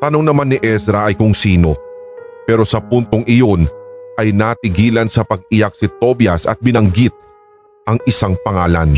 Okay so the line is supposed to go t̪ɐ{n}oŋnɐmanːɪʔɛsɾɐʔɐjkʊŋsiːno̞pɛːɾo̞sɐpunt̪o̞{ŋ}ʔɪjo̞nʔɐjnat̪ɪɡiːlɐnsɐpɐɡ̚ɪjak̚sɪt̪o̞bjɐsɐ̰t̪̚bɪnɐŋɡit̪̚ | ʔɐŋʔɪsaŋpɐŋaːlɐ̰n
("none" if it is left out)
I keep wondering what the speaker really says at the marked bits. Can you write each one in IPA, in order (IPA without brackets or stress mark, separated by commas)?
n, ŋ